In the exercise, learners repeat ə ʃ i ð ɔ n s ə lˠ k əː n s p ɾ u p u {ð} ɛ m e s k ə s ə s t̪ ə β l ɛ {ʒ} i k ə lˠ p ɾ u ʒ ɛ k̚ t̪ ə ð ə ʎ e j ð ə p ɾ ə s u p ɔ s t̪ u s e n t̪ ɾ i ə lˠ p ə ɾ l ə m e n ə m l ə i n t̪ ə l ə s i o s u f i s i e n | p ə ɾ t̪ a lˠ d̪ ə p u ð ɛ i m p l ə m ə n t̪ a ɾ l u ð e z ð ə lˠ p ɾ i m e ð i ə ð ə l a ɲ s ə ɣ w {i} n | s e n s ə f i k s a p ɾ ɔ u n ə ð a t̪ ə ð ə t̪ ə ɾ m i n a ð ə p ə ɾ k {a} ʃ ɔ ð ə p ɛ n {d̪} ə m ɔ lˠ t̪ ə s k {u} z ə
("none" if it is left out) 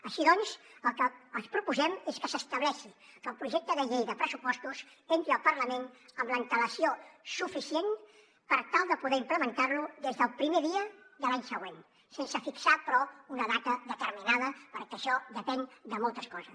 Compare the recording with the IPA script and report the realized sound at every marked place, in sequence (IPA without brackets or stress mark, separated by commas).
z, ʃ, e, ə, d̪, ɔ